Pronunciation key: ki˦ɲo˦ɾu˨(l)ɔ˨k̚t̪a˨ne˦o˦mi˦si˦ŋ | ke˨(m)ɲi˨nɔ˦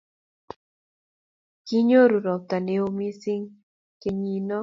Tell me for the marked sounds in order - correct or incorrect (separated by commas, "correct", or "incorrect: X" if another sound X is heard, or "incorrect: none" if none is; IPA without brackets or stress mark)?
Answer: incorrect: ɾ, incorrect: none